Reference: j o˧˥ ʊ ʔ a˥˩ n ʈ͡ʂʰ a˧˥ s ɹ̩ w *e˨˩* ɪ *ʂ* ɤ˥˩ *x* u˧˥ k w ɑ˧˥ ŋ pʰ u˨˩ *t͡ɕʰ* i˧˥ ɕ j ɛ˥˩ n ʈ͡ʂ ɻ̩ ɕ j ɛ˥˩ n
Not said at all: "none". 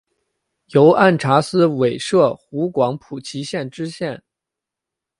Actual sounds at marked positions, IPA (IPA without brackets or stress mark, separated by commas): e˨˩, ʂ, x, t͡ɕʰ